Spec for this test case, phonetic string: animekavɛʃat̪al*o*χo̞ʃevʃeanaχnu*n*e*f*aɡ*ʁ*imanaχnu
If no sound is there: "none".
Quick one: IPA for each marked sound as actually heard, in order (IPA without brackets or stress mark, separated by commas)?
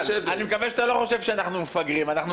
o, m, f, ʁ